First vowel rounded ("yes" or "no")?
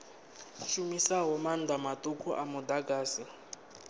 yes